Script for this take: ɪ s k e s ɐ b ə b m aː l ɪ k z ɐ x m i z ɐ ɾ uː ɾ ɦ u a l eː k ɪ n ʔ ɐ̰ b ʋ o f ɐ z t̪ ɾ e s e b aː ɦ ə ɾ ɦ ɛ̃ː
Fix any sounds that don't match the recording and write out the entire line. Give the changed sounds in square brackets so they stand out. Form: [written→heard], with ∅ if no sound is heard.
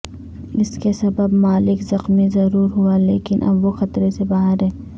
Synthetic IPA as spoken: ɪ s k e s ɐ b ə b m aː l ɪ k z ɐ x m i z ɐ ɾ uː ɾ ɦ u a l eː k ɪ n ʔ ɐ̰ b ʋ o [f→x] ɐ [z→∅] t̪ ɾ e s e b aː ɦ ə ɾ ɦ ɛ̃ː